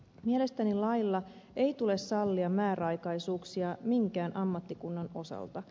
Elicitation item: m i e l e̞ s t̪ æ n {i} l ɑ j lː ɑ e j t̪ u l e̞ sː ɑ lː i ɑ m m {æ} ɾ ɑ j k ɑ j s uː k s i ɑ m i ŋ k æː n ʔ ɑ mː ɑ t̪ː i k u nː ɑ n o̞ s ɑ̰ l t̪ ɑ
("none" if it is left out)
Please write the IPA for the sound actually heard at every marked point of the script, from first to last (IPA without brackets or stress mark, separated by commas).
i, æː